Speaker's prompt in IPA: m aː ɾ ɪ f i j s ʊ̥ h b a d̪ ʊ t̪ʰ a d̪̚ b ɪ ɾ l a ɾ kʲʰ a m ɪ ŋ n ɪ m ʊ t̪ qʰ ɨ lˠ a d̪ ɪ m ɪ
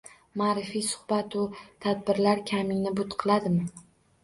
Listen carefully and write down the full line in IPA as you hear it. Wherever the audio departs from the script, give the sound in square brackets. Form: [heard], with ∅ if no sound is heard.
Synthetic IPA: m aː ɾ ɪ f i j s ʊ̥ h b a [t̪] ʊ t̪ʰ a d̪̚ b ɪ ɾ l a ɾ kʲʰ a m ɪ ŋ n ɪ [b] ʊ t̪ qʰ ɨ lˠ a d̪ ɪ m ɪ